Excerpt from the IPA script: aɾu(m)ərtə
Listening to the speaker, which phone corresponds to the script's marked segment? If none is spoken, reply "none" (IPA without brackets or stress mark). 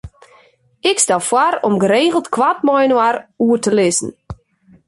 none